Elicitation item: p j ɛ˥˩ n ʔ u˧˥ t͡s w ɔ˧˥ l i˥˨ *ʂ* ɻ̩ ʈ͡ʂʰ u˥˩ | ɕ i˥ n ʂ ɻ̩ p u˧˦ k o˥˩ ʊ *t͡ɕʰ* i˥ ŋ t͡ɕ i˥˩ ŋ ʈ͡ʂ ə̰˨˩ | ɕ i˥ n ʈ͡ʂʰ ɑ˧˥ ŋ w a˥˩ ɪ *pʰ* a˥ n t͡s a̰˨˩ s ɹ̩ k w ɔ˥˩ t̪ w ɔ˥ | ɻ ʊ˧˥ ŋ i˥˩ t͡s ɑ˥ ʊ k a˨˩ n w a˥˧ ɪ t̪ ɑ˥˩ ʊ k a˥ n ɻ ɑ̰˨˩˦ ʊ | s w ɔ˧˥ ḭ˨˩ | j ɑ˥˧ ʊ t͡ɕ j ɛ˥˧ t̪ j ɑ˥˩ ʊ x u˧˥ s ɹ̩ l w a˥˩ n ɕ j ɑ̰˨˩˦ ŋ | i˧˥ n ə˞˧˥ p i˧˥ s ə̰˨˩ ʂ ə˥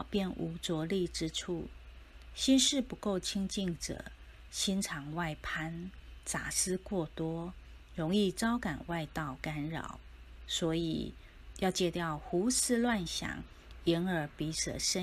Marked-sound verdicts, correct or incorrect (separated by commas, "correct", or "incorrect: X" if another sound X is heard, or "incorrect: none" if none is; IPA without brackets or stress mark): incorrect: ʈ͡ʂ, correct, correct